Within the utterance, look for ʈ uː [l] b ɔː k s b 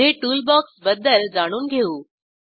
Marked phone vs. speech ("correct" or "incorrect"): correct